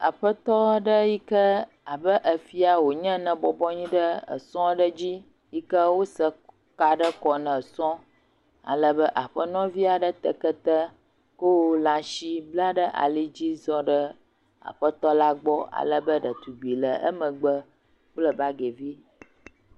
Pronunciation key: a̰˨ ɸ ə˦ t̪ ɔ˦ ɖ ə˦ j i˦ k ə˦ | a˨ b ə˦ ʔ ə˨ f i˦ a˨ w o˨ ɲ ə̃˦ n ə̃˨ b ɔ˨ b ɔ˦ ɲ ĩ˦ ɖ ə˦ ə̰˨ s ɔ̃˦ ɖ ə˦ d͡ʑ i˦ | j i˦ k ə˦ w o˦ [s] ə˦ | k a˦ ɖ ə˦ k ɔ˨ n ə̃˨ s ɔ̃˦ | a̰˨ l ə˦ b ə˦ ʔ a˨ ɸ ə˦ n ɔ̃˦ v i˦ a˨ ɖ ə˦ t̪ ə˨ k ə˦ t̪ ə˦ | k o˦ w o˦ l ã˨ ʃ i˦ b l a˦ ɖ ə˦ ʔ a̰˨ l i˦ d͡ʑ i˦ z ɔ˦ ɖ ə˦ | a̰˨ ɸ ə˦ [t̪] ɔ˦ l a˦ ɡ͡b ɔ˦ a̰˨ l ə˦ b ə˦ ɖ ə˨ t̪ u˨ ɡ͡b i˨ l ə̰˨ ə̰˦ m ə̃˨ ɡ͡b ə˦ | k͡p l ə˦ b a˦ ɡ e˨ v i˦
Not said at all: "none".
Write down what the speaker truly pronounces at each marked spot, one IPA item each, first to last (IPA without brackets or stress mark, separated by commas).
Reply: s, t̪